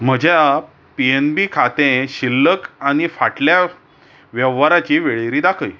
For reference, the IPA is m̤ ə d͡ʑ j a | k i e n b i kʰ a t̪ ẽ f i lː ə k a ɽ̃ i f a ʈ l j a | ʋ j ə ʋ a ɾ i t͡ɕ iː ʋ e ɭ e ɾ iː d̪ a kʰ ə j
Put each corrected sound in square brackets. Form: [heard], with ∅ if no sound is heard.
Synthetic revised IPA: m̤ ə d͡ʑ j a | [p] i e n b i kʰ a t̪ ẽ [ɕ] i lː ə k a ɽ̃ i f a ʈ l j a | ʋ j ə ʋ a ɾ [a] t͡ɕ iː ʋ e ɭ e ɾ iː d̪ a kʰ ə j